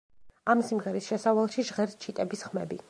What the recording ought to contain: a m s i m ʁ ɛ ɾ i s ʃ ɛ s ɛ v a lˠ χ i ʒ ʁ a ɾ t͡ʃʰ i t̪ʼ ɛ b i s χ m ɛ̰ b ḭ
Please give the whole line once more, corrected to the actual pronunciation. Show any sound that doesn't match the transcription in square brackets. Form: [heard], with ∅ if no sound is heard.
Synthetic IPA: a m s i m ʁ ɛ ɾ i s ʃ ɛ s [a] v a lˠ [ʃ] i ʒ ʁ [ɛ] ɾ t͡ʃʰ i t̪ʼ ɛ b i s χ m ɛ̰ b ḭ